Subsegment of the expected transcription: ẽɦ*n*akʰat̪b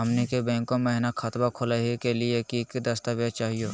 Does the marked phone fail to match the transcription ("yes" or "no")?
no